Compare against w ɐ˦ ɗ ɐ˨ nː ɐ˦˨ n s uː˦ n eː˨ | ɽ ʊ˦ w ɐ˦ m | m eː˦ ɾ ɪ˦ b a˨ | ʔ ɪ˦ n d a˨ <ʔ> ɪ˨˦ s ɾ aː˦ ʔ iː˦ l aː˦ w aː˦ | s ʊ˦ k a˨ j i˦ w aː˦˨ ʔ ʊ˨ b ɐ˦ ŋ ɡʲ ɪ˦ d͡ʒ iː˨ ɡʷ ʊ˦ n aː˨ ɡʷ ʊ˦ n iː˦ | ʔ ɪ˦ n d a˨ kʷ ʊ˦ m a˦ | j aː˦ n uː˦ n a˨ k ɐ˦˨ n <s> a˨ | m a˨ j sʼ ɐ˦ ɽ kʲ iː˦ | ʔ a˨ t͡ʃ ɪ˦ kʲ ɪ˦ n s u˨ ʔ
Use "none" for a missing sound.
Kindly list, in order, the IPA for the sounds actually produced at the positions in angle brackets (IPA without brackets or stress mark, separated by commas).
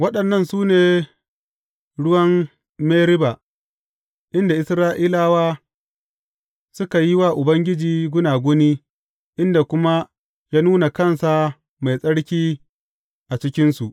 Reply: ʔ, s